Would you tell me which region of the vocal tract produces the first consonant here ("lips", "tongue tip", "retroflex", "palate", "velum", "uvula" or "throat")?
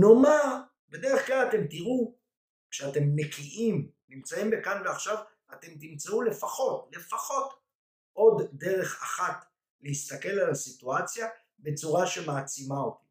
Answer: tongue tip